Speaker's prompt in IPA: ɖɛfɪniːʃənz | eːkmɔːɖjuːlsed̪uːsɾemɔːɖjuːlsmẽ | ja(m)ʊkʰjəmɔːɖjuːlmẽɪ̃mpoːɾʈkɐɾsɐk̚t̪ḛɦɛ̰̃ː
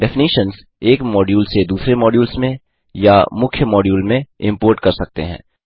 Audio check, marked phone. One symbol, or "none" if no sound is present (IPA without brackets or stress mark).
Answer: m